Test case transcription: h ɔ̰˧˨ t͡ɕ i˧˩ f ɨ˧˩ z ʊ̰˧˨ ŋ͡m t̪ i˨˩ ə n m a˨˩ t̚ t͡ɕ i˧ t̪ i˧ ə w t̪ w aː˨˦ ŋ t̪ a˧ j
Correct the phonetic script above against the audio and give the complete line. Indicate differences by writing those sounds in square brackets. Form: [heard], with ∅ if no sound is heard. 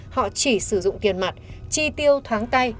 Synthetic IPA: h ɔ̰˧˨ t͡ɕ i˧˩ [s] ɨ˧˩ z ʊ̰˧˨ ŋ͡m t̪ i˨˩ ə n m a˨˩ t̚ t͡ɕ i˧ t̪ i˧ ə w [t̪ʰ] w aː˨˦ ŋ t̪ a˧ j